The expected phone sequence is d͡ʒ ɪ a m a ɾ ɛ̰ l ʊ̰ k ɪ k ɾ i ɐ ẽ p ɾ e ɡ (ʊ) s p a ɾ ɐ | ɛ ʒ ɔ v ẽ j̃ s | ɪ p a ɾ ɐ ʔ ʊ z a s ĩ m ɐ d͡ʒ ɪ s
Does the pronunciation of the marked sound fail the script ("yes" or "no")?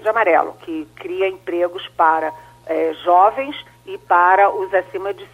no